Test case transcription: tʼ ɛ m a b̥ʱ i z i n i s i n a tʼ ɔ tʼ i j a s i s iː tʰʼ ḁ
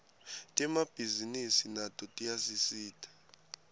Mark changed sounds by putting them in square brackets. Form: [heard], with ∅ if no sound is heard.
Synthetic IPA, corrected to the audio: tʼ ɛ m a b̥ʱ i z i n i s i n a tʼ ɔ tʼ i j a s i s iː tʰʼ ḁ

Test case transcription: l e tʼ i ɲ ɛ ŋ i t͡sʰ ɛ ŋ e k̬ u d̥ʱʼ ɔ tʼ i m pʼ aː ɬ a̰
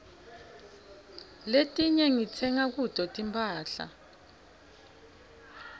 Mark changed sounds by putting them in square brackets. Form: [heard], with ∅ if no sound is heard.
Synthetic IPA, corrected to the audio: l e tʼ i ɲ ɛ ŋ i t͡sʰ ɛ ŋ [a] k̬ u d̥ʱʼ ɔ tʼ i m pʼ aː ɬ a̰

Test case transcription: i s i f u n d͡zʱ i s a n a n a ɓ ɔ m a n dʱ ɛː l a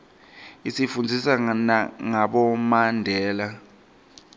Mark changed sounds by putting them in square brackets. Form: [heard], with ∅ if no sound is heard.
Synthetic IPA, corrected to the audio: i s i f u n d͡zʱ i s a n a [ŋ] a ɓ ɔ m a n dʱ ɛː l a

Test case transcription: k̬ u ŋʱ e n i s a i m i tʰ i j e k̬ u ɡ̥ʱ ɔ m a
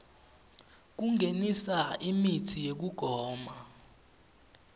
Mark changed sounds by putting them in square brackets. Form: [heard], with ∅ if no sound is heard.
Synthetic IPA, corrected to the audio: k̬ u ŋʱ e n i s a i m i tʰ i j e k̬ u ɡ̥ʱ [ɔː] m a

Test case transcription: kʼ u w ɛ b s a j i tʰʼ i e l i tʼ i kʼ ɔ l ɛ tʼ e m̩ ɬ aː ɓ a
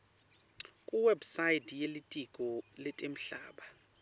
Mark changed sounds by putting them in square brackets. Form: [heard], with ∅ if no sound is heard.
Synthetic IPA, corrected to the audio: kʼ u w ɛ b s a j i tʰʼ [j] e l i tʼ i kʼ ɔ l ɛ tʼ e m̩ ɬ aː ɓ a

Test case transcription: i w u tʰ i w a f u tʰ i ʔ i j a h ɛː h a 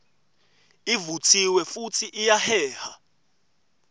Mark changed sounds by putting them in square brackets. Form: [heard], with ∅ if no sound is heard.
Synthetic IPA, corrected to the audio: i [v] u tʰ i w [ɛ] f u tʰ i ʔ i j a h ɛː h a

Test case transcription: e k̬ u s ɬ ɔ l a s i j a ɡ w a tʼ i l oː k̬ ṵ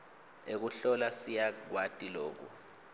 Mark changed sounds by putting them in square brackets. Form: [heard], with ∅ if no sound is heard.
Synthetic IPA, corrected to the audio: e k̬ u [∅] ɬ ɔ l a s i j a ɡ w a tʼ i l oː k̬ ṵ

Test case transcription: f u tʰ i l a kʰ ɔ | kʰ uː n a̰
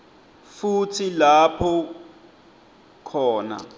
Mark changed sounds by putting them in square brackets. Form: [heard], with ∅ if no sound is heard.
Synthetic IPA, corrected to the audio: f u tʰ i l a [pʰ] ɔ | kʰ [ɔː] n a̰

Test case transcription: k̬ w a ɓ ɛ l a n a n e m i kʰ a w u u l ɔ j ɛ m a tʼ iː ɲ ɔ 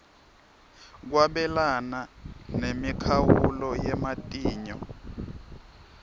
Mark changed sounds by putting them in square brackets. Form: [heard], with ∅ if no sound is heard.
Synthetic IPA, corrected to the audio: k̬ w a ɓ ɛ l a n a n e m i kʰ a w u u l ɔ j ɛ m a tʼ iː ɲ ɔ

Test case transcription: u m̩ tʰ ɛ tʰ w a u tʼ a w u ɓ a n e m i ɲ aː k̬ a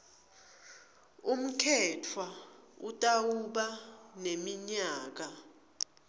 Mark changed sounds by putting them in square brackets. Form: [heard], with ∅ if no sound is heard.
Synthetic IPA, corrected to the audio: u m̩ [kʰ] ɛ tʰ w a u tʼ a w u ɓ a n e m i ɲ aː k̬ a

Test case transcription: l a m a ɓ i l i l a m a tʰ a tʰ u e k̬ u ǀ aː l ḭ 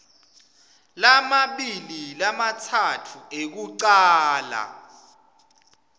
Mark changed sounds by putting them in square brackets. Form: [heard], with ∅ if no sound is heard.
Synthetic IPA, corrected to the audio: l a m a ɓ i l i l a m a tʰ a tʰ u e k̬ u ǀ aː l [a̰]

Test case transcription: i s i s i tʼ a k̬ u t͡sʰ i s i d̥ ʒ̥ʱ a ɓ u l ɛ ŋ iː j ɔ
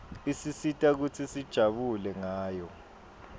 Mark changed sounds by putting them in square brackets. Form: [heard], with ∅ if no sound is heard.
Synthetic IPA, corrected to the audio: i s i s i tʼ a k̬ u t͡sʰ i s i d̥ ʒ̥ʱ a ɓ u l ɛ ŋ [aː] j ɔ

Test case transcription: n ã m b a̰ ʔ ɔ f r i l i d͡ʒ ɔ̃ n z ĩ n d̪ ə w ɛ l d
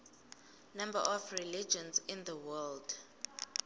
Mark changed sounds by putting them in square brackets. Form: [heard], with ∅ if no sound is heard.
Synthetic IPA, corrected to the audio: n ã m b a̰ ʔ ɔ f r i l i d͡ʒ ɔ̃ n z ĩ n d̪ ə w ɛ l d

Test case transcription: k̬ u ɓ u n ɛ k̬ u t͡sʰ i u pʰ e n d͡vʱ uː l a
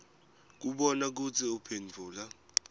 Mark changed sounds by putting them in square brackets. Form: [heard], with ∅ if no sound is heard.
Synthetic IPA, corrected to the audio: k̬ u ɓ [ɔ] n [a] k̬ u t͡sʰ i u pʰ e n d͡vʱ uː l a

